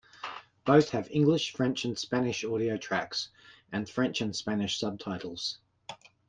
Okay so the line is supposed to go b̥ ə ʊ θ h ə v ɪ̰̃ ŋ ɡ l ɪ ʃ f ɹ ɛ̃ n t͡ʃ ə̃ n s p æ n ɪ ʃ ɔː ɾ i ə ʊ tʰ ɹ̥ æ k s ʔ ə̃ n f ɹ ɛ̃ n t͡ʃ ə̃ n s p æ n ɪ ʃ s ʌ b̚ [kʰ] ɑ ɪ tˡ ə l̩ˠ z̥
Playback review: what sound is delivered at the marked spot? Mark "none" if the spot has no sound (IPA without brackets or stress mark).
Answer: tʰ